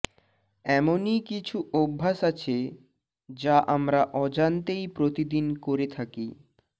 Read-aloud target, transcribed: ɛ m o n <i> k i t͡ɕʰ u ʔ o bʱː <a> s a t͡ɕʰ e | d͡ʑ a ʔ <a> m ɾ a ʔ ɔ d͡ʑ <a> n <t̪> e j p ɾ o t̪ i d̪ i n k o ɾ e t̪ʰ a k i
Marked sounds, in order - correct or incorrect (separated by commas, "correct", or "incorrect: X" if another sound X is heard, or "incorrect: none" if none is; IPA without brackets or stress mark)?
correct, correct, correct, correct, correct